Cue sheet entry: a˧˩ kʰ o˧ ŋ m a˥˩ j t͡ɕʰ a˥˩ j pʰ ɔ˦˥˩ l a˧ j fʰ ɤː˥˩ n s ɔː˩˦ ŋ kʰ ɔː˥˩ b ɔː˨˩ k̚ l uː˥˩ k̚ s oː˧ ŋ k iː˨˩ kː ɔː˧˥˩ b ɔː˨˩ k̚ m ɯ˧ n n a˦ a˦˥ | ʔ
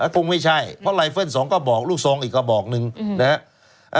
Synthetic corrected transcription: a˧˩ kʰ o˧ ŋ m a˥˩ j t͡ɕʰ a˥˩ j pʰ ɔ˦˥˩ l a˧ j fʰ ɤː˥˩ n s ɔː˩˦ ŋ k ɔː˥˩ b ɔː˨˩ k̚ l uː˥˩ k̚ s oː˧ ŋ ʔ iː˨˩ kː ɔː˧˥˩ b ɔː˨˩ k̚ n ɯ˧ ŋ n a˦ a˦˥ | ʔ